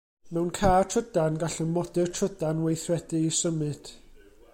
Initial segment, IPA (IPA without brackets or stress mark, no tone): m